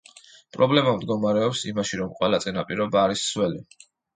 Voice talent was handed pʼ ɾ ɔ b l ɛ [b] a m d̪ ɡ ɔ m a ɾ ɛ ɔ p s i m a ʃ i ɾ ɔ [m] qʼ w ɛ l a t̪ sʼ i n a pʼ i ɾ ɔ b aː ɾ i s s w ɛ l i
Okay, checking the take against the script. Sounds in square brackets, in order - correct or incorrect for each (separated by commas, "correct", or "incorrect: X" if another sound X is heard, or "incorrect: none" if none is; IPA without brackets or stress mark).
incorrect: m, correct